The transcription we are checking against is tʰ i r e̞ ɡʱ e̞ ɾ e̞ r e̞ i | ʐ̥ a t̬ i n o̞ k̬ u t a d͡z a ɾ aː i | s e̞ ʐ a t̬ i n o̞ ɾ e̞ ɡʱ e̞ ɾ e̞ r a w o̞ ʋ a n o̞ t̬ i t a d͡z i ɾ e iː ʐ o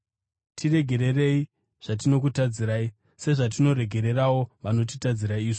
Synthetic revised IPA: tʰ i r e̞ ɡʱ e̞ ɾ e̞ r e̞ i | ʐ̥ a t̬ i n o̞ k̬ u t a d͡z i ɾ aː i | s e̞ ʐ a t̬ i n o̞ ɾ e̞ ɡʱ e̞ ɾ e̞ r a w o̞ ʋ a n o̞ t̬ i t a d͡z i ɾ a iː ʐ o